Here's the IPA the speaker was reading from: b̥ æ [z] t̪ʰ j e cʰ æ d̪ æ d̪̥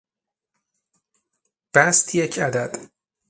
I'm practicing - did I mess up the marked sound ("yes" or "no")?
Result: yes